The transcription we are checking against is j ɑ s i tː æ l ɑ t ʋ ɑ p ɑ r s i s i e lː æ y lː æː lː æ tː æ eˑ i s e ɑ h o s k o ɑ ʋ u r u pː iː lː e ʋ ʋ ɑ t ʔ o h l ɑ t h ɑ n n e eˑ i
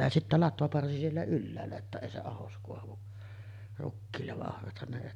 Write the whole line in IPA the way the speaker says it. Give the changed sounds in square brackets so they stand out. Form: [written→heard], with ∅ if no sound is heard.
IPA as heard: j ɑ s i tː æ l ɑ t ʋ ɑ p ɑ r s i s i e lː æ y lː æː lː æ tː æ eˑ i s e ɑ h o s k o ɑ ʋ u r u [pː→kː] iː lː e ʋ ʋ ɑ [t→ʔ] ʔ o h [l→r] ɑ t h ɑ n n e eˑ i